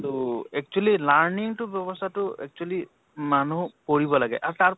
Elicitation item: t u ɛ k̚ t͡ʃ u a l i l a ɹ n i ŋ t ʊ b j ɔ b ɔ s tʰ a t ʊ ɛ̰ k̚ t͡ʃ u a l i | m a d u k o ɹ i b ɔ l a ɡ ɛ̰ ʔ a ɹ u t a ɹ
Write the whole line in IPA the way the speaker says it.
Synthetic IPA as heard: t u ɛ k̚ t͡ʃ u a l i l a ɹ n i ŋ t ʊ b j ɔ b ɔ s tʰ a t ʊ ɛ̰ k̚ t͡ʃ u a l i | m a n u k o ɹ i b ɔ l a ɡ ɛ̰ ʔ a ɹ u t a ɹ